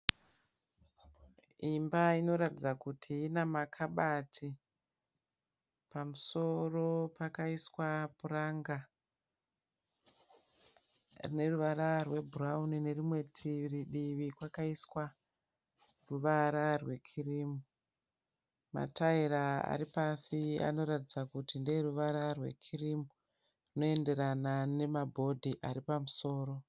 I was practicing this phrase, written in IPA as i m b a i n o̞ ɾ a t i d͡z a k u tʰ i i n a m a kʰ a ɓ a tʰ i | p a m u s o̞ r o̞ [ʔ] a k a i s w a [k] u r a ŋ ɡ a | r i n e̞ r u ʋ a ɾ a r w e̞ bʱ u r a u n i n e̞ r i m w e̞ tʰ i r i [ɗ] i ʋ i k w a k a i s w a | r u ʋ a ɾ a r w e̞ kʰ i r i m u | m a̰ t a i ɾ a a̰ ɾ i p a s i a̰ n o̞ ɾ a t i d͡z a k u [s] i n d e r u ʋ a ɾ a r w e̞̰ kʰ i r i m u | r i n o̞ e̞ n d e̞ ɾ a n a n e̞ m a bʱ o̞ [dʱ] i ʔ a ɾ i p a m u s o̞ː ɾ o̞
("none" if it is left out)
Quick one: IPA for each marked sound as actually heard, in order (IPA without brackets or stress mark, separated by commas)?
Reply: p, p, ɗ, t, dʱ